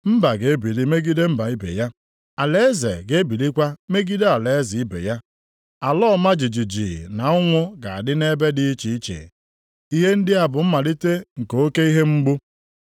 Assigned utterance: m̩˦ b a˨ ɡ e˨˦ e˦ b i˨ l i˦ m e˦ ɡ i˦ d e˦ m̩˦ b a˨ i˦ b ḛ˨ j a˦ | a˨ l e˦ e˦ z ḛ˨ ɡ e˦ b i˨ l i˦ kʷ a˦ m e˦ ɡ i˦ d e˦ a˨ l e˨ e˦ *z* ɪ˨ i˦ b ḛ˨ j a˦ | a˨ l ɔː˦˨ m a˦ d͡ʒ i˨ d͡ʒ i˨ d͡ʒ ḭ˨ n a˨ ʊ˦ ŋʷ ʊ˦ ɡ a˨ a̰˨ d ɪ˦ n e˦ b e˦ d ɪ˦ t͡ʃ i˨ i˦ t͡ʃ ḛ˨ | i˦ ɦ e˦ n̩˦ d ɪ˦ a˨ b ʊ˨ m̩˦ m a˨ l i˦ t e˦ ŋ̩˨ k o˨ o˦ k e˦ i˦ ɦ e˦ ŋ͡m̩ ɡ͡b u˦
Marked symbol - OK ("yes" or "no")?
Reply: yes